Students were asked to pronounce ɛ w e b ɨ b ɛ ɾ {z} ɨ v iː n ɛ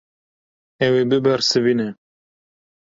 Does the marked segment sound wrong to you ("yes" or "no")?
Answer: yes